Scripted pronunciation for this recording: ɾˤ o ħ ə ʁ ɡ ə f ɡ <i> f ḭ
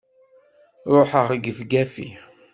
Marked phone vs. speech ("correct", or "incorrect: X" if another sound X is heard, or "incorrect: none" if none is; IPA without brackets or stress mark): incorrect: æ